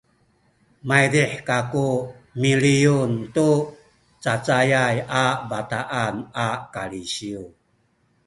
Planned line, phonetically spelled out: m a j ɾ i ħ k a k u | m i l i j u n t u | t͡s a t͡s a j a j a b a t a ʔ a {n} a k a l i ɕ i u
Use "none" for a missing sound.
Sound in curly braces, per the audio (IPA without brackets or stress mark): n